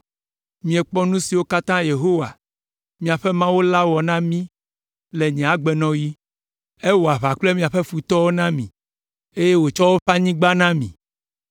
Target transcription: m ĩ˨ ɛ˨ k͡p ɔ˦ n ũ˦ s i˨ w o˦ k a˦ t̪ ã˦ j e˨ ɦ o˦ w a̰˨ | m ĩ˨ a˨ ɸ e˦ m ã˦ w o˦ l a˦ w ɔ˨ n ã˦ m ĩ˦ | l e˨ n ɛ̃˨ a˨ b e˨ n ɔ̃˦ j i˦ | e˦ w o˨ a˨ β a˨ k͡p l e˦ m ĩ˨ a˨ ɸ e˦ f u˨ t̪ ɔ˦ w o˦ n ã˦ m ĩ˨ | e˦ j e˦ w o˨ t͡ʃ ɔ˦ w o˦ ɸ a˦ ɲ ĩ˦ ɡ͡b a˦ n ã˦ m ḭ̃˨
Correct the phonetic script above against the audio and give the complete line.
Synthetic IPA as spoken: m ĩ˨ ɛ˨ k͡p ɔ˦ n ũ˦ s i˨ w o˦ k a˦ t̪ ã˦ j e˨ ɦ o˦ w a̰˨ | m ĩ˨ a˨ ɸ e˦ m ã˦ w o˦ l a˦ w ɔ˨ n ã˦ m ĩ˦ | l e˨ ɲ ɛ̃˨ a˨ ɡ͡b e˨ n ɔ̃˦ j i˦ | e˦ w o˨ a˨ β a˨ k͡p l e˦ m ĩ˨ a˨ ɸ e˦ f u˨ t̪ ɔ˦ w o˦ n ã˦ m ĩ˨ | e˦ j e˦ w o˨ t͡ʃ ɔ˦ w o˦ ɸ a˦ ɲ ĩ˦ ɡ͡b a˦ n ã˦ m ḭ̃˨